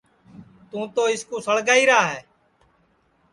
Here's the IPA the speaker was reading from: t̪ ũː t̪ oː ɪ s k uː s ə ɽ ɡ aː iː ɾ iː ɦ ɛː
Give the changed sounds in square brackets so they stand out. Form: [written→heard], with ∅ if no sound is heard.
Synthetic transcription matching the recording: t̪ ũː t̪ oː ɪ s k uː s ə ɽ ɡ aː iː ɾ [iː→aː] ɦ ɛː

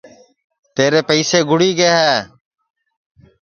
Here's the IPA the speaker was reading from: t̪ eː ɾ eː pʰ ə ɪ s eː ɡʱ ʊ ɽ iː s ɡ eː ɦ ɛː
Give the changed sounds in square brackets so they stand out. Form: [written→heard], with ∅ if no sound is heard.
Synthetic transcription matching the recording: t̪ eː ɾ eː [pʰ→p] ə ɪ s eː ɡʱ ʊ ɽ iː [s→∅] ɡ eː ɦ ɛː

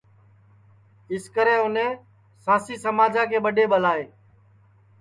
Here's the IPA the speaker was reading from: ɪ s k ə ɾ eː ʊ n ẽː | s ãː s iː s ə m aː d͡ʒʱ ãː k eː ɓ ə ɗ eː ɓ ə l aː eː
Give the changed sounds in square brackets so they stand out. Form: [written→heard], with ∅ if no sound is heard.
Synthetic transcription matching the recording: ɪ s k ə ɾ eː ʊ n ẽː | s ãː s iː s ə m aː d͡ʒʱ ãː k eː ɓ ə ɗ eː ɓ ə l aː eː

